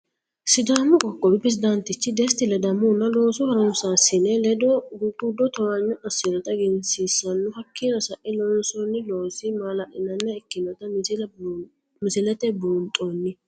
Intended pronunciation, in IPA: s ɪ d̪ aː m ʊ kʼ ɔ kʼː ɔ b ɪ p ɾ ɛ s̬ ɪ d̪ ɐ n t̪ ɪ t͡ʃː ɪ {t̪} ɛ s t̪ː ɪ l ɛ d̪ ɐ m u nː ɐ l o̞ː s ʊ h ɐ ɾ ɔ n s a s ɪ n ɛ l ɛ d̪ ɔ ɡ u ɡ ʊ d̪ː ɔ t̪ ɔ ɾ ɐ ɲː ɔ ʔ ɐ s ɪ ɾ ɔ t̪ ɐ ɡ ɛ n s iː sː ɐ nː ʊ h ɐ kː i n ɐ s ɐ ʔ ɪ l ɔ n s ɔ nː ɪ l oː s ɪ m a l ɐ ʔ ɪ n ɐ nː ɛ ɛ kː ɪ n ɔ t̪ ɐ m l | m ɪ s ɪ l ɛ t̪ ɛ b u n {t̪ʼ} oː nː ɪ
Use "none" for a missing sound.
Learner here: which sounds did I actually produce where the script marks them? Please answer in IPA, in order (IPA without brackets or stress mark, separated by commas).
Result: d̪, t̪ʼ